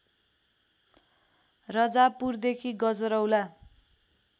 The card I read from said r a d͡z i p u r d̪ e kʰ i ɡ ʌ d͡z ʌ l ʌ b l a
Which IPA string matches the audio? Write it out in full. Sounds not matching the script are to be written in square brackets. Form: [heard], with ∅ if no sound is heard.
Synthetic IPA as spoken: r [ʌ] d͡z [a] p u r d̪ e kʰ i ɡ ʌ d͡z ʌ [ɾ] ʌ [w] l a